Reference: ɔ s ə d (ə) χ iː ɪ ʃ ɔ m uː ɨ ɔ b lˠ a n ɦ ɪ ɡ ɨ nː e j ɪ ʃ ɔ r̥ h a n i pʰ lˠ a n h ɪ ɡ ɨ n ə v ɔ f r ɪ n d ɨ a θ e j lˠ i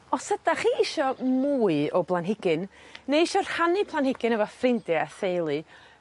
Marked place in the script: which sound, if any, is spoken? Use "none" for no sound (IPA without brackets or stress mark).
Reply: a